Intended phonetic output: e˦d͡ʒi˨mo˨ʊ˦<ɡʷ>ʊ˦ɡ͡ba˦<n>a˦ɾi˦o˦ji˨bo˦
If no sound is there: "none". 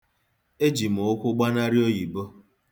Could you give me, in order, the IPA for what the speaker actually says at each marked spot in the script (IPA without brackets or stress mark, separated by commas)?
kʷ, n